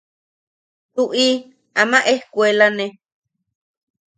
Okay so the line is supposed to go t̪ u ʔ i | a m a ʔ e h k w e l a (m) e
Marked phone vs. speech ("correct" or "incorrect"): incorrect